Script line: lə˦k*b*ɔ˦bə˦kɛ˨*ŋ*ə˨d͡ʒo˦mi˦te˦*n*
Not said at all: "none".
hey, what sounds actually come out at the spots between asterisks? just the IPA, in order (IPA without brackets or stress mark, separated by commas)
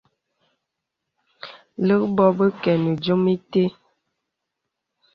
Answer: b, n, none